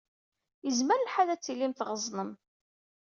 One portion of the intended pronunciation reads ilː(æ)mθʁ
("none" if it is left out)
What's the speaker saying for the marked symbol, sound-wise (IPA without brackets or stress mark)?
i